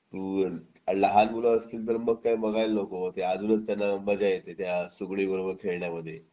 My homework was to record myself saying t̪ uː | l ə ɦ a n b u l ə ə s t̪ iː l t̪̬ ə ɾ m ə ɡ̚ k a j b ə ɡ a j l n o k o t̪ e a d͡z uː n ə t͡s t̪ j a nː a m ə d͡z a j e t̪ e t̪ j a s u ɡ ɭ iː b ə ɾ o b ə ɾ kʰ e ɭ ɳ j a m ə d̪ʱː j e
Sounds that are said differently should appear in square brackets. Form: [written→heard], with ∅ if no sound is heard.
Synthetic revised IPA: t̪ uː | l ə ɦ a n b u l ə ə s t̪ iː l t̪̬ ə ɾ m ə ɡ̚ k a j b ə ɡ a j l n o k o t̪ e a d͡z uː n ə t͡s t̪ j a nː a m ə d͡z a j e t̪ e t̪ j a s u ɡ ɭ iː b ə ɾ o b ə ɾ kʰ e ɭ ɳ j a m ə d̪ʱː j e